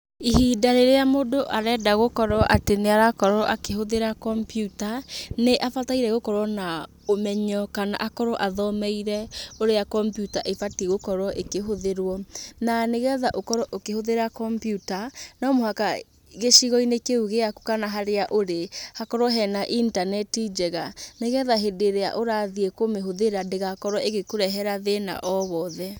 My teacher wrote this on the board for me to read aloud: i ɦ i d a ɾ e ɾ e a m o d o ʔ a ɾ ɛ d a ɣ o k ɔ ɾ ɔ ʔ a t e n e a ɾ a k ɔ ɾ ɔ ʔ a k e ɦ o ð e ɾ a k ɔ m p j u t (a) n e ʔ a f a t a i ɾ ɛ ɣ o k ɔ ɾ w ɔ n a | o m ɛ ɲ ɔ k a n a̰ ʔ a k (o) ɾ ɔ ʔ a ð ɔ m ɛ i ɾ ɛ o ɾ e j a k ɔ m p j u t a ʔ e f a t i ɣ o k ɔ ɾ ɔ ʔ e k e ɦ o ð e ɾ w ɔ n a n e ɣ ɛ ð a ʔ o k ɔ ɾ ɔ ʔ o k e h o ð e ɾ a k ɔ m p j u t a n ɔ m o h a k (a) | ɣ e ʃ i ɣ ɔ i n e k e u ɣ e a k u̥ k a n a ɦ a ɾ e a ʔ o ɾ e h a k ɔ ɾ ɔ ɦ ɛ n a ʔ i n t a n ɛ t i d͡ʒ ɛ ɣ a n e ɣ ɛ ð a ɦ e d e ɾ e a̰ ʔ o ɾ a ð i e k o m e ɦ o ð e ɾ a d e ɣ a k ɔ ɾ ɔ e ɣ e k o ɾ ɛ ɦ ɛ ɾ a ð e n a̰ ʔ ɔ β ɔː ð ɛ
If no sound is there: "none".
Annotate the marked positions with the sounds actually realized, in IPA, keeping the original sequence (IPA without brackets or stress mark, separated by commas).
a, ɔ, a